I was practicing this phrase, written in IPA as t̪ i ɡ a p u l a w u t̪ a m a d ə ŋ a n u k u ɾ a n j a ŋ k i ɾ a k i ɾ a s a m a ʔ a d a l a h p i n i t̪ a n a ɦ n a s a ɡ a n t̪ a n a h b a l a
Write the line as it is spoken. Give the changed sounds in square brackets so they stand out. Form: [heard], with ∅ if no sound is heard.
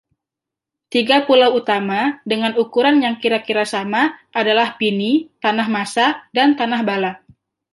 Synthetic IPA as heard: t̪ i ɡ a p u l a w u t̪ a m a d ə ŋ a n u k u ɾ a n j a ŋ k i ɾ a k i ɾ a s a m a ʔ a d a l a h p i n i t̪ a n a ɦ [m] a s a [d] a n t̪ a n a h b a l a